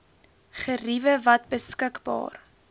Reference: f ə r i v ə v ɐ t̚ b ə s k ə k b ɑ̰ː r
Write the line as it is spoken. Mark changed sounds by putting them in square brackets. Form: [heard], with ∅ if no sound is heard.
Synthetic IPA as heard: [χ] ə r i v ə v ɐ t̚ b ə s k ə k b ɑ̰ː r